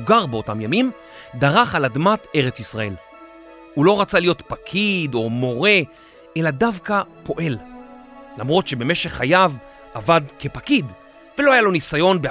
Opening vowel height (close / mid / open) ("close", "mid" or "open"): open